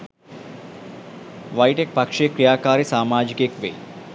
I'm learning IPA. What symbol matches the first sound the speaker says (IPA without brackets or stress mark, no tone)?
ʋ